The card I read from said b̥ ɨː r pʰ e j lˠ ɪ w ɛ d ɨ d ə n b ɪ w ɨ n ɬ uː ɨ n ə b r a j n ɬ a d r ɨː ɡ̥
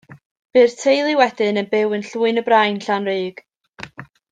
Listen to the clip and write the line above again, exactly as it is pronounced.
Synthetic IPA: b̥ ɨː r tʰ e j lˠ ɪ w ɛ d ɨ n ə n b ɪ w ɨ n ɬ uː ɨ n ə b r a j n ɬ a n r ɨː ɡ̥